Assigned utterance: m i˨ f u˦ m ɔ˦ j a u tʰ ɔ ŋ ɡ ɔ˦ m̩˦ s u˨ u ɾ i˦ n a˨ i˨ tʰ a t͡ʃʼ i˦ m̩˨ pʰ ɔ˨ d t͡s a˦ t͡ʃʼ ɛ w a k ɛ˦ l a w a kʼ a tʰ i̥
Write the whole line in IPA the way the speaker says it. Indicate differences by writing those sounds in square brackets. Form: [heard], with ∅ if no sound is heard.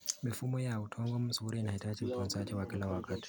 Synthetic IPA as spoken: m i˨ f u˦ m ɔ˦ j a u tʰ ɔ ŋ ɡ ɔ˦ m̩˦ s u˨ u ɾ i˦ n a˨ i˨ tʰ a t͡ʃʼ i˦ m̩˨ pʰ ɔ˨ [n] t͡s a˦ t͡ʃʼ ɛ w a k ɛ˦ l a w a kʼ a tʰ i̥